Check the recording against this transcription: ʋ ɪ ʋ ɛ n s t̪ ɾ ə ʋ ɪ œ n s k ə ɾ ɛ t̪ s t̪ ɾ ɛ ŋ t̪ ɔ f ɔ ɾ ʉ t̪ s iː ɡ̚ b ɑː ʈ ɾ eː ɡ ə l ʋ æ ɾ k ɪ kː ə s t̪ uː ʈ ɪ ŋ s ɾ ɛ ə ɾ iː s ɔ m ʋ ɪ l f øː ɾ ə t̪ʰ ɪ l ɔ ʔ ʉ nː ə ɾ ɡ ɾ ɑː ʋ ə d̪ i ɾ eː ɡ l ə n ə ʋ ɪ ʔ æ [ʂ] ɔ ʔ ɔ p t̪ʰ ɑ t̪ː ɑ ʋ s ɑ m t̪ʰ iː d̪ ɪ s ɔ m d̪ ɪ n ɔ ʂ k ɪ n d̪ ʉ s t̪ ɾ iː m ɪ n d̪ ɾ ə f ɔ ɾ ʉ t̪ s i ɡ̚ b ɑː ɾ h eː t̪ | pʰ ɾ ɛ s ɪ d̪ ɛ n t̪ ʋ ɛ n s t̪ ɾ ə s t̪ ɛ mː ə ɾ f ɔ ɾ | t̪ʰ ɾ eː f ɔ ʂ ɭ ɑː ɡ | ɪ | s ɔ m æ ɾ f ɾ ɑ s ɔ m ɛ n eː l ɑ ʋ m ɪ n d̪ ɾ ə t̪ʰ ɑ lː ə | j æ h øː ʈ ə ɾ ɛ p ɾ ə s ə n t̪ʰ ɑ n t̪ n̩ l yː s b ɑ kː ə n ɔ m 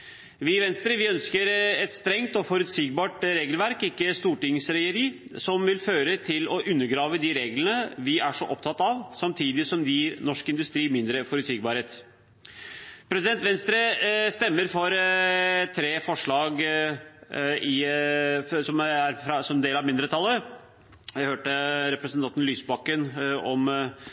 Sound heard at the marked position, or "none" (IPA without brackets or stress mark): ʂ